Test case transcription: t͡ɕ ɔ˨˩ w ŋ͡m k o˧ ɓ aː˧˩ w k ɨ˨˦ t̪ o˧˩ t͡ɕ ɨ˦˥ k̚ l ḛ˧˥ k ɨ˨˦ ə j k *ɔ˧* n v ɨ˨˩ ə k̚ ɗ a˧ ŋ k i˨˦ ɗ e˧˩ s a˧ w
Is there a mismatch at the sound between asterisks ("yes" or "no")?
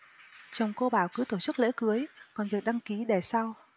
yes